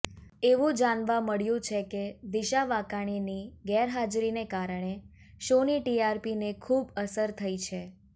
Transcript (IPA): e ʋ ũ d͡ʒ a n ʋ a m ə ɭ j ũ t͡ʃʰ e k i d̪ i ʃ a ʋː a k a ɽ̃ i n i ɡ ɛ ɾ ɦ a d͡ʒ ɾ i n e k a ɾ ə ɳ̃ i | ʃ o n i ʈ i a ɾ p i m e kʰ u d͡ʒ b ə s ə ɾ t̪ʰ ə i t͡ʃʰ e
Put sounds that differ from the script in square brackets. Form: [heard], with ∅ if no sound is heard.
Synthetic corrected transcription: e ʋ ũ d͡ʒ a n ʋ a m ə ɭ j ũ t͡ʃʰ e k [e] d̪ i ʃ a [ʋ] a k a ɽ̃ i n i ɡ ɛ ɾ ɦ a d͡ʒ ɾ i n e k a ɾ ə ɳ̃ [e] | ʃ o n i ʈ i a ɾ p i [n] e kʰ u [∅] b ə s ə ɾ t̪ʰ ə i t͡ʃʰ e